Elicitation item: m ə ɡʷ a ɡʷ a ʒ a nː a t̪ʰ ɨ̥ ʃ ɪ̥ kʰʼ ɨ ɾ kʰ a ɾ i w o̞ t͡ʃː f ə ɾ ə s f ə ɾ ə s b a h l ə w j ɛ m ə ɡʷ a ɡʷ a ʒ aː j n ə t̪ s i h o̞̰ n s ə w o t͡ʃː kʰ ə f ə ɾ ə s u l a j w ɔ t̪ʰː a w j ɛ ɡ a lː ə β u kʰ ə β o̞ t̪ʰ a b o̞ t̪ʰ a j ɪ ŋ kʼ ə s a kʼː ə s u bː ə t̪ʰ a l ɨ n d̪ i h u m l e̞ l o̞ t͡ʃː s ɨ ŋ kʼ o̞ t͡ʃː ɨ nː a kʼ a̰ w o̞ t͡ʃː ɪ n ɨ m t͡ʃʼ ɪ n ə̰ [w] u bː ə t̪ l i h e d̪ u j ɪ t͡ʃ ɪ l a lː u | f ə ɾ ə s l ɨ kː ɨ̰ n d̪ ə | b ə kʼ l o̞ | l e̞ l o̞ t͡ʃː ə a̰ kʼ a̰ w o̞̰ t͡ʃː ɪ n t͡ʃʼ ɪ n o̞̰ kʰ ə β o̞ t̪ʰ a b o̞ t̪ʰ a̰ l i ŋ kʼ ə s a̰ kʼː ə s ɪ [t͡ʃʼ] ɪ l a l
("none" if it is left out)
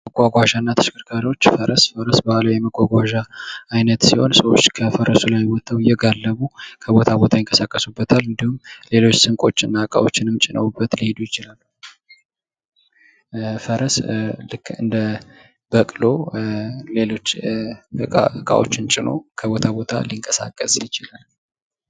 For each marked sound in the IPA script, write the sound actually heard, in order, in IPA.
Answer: w, t͡ʃ

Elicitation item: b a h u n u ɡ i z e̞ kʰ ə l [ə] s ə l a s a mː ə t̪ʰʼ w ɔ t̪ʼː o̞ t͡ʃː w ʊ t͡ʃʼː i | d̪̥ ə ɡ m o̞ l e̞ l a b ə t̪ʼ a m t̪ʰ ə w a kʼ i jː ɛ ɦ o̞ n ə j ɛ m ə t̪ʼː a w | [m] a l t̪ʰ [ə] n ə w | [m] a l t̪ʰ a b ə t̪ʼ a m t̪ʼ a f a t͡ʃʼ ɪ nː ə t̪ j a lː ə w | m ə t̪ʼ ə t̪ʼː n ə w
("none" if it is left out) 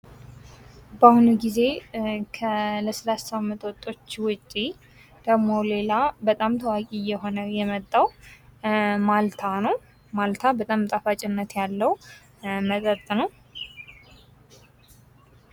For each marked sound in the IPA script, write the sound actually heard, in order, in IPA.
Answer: ə, m, a, m

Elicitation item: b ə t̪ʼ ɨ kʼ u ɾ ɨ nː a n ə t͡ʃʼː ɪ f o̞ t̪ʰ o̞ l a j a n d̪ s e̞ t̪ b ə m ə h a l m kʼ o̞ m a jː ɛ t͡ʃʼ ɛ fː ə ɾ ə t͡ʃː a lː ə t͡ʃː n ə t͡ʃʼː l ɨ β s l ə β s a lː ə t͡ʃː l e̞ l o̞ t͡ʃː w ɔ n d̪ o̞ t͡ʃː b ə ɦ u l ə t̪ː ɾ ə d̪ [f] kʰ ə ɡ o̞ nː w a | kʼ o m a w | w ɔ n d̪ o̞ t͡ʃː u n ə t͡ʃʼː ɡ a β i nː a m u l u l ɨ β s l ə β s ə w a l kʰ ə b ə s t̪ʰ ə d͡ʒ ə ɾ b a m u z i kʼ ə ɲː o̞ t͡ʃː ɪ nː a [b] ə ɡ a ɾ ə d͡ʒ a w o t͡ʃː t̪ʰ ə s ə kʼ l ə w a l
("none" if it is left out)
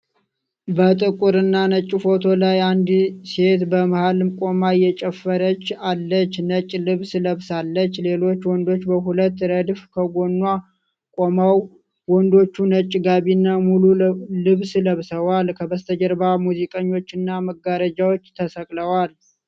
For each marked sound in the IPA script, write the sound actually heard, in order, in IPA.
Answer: f, m

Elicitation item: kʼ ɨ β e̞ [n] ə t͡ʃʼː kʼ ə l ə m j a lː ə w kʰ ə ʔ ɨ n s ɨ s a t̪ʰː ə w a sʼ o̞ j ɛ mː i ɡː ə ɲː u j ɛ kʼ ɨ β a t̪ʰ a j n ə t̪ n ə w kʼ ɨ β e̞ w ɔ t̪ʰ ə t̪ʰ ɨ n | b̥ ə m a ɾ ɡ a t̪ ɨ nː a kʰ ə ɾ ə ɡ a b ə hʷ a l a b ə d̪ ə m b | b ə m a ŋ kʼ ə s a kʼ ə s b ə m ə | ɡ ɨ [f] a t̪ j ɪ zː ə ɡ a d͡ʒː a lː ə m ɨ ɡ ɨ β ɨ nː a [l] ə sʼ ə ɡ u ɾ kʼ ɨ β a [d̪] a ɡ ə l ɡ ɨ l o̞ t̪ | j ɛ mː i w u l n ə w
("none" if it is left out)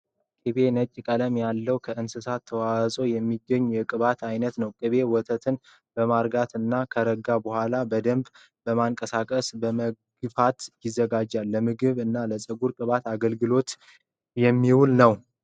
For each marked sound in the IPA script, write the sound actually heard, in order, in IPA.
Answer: n, f, l, t̪

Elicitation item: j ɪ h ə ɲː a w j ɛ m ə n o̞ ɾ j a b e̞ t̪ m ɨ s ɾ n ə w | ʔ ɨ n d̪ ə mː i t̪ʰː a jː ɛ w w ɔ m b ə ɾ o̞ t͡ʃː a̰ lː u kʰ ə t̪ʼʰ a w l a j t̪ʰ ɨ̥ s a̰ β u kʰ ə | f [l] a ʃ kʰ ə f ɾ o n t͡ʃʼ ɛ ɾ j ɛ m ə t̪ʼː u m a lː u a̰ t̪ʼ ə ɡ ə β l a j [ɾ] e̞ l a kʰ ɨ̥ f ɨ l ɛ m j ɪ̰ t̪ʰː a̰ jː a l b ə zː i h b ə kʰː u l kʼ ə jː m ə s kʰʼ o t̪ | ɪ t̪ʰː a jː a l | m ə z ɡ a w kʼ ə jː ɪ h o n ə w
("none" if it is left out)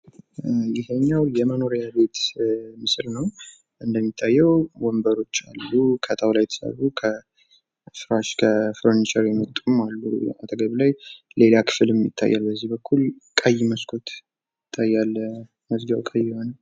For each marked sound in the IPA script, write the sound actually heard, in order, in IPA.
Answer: ɾ, l

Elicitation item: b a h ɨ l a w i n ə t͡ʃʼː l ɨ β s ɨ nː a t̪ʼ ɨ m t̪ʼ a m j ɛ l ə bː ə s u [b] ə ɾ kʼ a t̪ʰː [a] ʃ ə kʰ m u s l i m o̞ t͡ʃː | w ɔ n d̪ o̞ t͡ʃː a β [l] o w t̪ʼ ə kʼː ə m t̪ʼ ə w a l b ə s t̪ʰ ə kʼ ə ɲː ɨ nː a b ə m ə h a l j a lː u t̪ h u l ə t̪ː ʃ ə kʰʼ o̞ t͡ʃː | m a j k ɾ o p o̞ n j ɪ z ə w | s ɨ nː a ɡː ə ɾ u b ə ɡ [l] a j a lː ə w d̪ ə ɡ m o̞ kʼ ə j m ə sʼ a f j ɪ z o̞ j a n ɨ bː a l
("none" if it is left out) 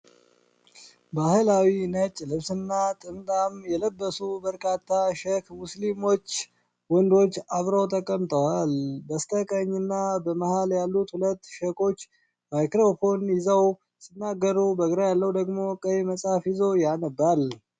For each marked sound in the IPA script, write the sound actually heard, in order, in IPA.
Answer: b, a, ɾ, ɾ

